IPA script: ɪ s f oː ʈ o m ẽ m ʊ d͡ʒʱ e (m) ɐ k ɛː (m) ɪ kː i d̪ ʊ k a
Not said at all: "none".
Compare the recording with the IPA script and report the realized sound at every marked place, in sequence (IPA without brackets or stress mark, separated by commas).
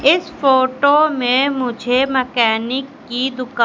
m, n